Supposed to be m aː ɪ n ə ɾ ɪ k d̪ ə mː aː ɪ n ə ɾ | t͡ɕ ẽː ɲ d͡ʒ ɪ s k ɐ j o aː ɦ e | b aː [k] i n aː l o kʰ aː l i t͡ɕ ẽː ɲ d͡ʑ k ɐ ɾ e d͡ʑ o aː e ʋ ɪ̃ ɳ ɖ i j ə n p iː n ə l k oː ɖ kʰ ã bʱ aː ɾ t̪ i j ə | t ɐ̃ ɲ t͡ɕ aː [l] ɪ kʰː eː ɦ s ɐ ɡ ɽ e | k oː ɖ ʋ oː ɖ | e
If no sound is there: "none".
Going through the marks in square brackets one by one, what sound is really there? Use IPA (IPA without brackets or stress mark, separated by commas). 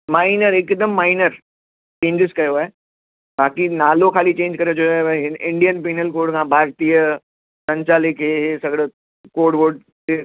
k, l